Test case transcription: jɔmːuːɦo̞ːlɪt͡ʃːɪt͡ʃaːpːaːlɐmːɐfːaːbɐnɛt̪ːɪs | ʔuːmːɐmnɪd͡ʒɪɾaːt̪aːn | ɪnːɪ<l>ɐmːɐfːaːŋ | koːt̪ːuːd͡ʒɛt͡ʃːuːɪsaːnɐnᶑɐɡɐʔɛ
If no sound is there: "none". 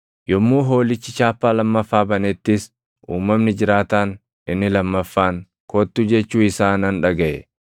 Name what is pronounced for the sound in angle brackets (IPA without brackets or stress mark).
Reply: l